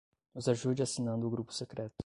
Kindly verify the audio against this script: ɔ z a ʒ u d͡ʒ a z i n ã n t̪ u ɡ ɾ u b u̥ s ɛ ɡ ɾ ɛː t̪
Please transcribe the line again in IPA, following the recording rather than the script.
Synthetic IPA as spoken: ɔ z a ʒ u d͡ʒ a s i n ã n d̪ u ɡ ɾ u p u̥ s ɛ k ɾ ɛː t̪